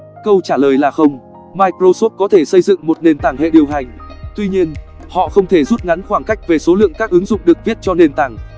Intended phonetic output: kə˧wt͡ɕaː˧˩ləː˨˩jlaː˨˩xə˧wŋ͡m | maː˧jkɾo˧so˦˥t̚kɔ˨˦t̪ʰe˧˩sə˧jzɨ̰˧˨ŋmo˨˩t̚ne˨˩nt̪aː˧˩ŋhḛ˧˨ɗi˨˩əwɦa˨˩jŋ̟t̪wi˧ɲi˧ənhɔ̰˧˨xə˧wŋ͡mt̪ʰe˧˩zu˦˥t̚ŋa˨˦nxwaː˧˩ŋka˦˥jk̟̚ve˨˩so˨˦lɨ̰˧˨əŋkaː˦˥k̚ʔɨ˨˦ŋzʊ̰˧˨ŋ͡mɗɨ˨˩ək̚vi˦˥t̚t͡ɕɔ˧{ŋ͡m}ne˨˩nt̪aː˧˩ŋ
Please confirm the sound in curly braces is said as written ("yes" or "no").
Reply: no